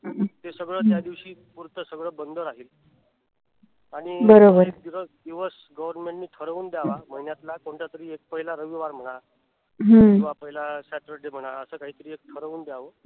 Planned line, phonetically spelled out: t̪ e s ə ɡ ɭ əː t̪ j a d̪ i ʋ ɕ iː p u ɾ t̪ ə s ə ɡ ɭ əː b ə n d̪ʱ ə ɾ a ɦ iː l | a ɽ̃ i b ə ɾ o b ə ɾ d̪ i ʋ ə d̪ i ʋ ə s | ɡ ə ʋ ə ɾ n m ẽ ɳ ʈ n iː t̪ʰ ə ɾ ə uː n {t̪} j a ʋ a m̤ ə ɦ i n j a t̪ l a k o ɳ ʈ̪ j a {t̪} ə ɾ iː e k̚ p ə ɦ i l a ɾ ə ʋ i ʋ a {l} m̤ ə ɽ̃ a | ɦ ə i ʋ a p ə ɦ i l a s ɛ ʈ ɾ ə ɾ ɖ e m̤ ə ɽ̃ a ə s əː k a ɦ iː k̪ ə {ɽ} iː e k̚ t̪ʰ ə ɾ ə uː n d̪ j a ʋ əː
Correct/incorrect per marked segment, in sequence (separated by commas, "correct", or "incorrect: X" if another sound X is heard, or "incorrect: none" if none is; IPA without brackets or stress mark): incorrect: d̪, correct, incorrect: ɾ, incorrect: ɾ